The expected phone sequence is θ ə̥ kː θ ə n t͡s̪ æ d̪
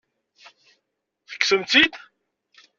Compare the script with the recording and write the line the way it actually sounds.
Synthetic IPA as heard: θ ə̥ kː s ə m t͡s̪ i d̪